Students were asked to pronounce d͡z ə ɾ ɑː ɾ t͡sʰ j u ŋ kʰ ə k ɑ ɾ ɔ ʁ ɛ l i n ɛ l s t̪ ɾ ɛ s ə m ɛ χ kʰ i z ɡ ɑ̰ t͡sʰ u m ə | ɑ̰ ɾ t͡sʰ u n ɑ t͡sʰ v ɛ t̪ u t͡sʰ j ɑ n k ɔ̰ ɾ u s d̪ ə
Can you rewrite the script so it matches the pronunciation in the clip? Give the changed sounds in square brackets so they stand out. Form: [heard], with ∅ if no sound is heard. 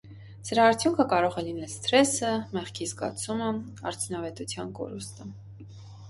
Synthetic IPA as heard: d͡z ə ɾ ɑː ɾ t͡sʰ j u ŋ kʰ ə k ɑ ɾ ɔ ʁ ɛ l i n ɛ l s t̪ ɾ ɛ s ə m ɛ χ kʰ i z ɡ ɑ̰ t͡sʰ u m ə | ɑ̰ ɾ t͡sʰ u n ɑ [∅] v ɛ t̪ u t͡sʰ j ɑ n k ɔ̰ ɾ u s [t̪] ə